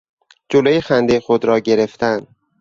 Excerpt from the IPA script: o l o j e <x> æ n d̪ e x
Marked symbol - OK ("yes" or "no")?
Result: yes